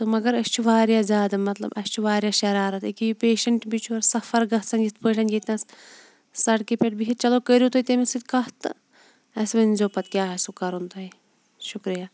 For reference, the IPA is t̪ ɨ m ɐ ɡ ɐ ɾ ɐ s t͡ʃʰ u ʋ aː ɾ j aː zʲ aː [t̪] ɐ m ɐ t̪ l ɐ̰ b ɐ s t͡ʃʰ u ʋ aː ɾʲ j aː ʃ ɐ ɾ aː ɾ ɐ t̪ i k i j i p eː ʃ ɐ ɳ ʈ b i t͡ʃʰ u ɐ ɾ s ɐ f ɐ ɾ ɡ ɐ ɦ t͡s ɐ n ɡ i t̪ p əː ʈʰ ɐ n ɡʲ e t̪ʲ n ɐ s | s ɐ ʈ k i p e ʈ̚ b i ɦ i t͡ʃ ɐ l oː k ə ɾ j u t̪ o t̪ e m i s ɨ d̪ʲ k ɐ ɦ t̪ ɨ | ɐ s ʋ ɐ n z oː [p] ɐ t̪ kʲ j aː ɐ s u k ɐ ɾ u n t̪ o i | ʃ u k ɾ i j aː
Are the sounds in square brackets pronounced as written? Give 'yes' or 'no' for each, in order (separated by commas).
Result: no, yes